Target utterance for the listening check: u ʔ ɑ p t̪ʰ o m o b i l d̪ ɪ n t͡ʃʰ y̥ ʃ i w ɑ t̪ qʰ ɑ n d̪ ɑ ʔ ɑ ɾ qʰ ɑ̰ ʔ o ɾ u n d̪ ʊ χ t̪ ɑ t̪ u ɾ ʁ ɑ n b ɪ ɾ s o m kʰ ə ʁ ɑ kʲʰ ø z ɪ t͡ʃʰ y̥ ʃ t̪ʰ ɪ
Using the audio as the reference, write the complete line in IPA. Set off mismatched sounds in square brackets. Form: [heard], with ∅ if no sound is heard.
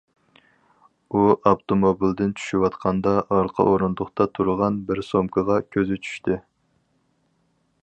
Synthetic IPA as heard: u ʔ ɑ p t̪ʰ o m o b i l d̪ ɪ n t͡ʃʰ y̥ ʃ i w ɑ t̪ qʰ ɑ n d̪ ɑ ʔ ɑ ɾ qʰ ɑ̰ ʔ o ɾ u n d̪ ʊ χ t̪ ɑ [t̪ʰ] u ɾ ʁ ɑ n b ɪ ɾ s o m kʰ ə ʁ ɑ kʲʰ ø z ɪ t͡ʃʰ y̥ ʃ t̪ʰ ɪ